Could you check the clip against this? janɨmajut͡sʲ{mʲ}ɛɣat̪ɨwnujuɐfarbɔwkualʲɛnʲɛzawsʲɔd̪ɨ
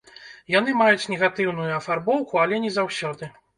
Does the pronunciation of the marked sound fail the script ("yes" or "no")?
yes